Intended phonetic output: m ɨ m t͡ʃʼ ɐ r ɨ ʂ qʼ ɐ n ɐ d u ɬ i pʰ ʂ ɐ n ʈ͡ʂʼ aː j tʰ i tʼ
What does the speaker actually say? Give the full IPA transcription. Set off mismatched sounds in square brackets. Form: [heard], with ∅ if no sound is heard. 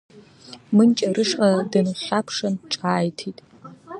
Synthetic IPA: m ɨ [n] t͡ʃʼ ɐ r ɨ ʂ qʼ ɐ [d] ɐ [n] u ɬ [a] pʰ ʂ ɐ n ʈ͡ʂʼ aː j tʰ i tʼ